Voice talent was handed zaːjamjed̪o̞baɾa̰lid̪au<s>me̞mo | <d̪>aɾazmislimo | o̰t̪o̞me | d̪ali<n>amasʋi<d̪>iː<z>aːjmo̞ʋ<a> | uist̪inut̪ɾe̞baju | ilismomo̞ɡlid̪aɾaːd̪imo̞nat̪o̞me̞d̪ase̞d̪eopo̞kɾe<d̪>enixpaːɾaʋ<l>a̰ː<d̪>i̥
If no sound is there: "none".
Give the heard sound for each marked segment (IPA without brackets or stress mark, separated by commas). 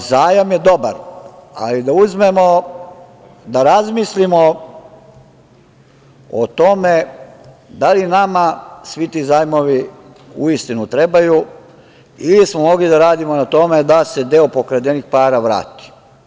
z, d̪, n, t̪, z, i, d̪, ɾ, t̪